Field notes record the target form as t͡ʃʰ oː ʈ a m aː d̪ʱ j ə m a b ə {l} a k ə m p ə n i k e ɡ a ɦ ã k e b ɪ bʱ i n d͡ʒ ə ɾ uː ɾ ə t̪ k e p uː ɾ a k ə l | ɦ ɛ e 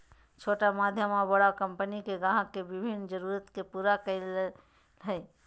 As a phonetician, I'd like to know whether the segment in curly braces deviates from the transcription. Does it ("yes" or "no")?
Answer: yes